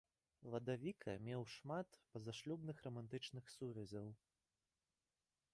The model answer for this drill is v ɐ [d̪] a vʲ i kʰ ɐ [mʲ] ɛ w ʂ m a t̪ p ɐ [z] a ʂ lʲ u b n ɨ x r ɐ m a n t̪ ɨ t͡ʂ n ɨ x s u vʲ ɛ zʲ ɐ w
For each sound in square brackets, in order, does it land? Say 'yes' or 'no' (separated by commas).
yes, yes, yes